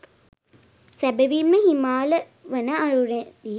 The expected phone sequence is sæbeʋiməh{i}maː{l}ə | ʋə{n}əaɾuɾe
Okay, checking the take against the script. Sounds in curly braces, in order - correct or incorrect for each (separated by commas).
correct, correct, correct